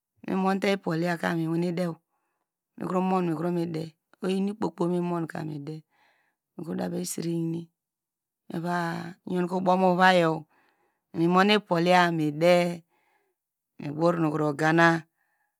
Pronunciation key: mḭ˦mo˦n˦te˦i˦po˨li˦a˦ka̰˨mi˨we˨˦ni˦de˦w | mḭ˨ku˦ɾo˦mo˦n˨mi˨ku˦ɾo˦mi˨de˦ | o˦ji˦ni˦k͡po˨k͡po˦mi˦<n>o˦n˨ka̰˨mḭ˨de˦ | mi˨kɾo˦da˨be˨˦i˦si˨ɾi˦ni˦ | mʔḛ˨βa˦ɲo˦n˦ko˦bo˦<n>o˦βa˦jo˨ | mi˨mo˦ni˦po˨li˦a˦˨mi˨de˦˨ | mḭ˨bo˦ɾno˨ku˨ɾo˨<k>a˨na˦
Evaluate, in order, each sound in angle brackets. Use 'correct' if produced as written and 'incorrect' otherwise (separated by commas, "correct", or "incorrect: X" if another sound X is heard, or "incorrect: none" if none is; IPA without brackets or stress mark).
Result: incorrect: m, incorrect: m, incorrect: ɡ